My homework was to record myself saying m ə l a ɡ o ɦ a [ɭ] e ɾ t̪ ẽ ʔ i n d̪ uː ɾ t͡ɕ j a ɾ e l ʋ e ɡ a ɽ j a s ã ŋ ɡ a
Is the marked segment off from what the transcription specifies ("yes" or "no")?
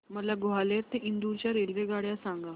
yes